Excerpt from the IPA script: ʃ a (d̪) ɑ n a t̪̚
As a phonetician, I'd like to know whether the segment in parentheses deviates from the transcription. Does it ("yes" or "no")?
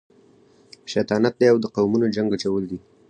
yes